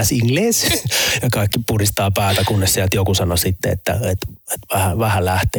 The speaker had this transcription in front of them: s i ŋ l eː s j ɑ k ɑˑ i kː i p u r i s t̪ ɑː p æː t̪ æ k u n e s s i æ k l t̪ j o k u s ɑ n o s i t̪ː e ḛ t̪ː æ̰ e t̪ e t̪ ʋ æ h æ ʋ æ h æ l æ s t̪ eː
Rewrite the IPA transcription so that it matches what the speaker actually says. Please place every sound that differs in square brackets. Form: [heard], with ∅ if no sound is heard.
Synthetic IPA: s i ŋ l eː s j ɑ k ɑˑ i kː i p u r i s t̪ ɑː p æː t̪ æ k u [nː] e s s i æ [∅] l t̪ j o k u s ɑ n o s i t̪ː e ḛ t̪ː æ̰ e t̪ e t̪ ʋ æ h æ ʋ æ h æ l æ [h] t̪ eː